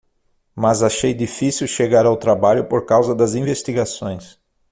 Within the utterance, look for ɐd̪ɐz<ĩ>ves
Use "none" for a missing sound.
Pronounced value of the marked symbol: ĩ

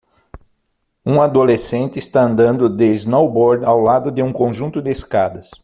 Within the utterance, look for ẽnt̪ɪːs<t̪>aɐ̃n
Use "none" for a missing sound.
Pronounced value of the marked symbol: t̪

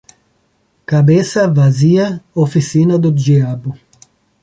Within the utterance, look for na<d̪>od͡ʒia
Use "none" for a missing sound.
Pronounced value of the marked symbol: d̪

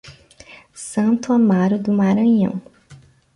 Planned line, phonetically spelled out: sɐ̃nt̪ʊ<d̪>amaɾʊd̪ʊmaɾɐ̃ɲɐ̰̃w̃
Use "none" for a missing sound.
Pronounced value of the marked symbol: none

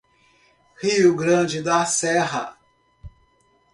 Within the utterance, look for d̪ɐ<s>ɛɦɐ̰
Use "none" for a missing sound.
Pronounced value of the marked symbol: s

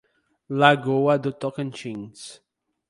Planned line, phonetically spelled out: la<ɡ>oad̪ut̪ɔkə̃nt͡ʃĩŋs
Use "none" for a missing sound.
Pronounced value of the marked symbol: ɡ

